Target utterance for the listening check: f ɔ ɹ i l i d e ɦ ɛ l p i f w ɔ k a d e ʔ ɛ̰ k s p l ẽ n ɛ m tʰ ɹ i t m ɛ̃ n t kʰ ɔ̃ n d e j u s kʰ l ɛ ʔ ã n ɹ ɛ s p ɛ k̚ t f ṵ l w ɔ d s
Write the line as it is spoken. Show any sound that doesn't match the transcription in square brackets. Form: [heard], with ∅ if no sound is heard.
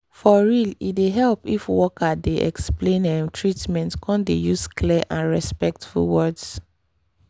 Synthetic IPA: f ɔ ɹ i l i d e ɦ ɛ l p i f w ɔ k a d e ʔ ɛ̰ k s p l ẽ n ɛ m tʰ ɹ i t m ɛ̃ n t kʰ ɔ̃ n d e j u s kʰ l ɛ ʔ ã n ɹ ɛ s p ɛ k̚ t f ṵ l w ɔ d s